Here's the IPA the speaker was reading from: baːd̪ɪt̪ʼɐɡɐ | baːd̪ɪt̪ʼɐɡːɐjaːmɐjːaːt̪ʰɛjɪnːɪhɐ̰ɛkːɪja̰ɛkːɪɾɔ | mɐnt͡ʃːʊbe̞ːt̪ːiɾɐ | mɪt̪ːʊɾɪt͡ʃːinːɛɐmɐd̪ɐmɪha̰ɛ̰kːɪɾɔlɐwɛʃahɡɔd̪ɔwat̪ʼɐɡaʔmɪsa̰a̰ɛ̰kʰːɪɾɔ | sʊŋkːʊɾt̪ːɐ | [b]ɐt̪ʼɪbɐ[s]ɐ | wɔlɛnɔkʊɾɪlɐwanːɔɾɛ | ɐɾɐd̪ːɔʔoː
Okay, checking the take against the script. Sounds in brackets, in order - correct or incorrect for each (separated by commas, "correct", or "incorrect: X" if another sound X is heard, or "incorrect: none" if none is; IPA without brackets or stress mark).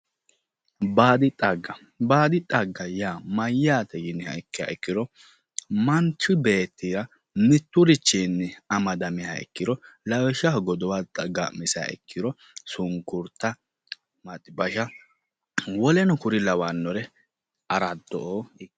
incorrect: m, incorrect: ʃ